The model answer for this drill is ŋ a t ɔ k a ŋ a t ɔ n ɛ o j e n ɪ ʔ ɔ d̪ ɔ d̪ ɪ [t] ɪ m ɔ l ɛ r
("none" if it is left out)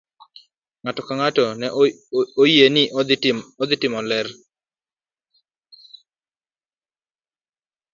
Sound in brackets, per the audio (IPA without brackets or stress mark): t